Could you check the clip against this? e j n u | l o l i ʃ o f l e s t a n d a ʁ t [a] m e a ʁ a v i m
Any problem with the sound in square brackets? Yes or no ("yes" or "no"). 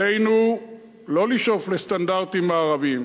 yes